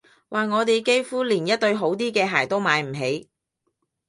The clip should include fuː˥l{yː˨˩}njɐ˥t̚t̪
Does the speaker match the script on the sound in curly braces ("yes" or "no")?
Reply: no